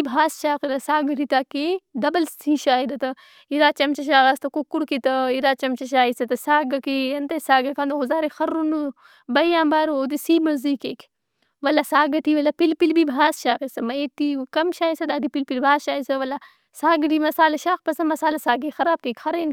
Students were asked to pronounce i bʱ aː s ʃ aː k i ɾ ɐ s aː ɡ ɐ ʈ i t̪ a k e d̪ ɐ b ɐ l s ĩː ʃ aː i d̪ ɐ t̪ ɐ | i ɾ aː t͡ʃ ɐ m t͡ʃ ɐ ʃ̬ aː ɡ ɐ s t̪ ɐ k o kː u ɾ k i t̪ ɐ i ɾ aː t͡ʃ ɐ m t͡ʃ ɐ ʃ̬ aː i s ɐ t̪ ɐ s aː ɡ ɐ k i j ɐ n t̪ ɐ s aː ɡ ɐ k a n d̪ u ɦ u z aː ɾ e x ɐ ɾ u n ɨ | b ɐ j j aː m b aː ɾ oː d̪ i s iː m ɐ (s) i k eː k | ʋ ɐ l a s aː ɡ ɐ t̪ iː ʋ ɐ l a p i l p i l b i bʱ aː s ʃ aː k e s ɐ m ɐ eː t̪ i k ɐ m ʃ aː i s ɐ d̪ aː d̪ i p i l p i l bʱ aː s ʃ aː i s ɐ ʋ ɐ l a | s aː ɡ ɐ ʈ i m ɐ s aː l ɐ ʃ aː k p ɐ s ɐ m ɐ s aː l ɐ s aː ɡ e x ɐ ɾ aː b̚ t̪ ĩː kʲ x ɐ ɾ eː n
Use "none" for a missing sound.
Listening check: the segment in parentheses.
z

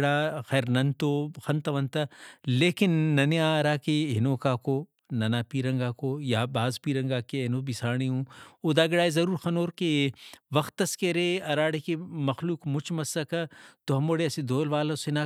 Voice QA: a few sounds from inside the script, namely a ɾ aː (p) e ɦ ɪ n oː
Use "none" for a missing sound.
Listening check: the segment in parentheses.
k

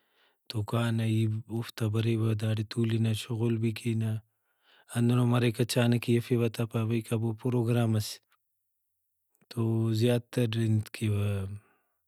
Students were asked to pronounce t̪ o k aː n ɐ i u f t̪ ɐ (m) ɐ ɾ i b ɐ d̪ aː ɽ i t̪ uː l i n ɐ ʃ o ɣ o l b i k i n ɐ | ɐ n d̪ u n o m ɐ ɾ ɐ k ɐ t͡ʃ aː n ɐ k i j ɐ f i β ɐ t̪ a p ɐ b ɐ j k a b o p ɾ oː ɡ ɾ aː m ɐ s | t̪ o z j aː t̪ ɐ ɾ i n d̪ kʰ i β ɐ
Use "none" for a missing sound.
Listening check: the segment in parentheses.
b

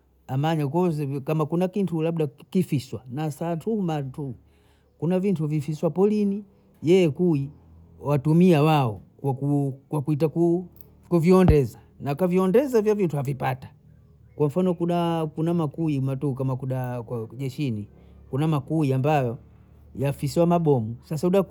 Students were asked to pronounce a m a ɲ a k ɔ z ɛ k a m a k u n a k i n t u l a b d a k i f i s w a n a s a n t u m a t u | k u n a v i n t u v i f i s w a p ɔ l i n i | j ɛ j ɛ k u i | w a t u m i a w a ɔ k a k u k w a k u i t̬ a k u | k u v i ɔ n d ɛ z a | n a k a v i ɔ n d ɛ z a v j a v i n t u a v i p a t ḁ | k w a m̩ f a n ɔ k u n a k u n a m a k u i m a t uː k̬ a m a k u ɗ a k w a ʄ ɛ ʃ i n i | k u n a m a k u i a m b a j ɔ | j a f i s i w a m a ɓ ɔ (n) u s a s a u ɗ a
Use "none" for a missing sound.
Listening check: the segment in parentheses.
m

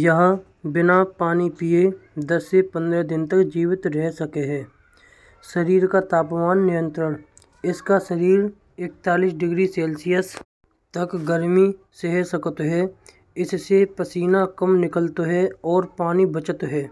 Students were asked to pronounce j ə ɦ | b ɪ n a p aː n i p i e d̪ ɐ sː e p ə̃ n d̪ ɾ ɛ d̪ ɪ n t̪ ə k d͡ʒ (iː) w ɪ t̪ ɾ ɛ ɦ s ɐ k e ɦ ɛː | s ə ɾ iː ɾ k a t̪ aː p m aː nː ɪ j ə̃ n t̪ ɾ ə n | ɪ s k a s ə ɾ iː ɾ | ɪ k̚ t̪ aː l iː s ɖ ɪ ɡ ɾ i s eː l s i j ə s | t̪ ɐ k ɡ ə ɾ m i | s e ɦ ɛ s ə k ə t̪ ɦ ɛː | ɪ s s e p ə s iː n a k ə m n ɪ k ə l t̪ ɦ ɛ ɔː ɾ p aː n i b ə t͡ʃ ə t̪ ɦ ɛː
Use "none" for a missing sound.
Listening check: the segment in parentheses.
iː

